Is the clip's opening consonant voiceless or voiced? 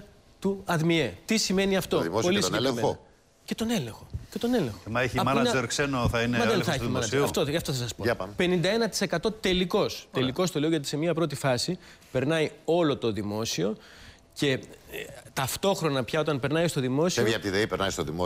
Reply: voiceless